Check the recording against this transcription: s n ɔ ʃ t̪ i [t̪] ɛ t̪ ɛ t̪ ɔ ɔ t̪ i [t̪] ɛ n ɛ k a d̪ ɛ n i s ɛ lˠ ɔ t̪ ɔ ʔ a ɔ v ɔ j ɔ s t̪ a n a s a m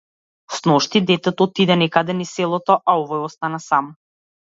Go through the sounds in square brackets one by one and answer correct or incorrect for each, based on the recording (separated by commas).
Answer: incorrect, incorrect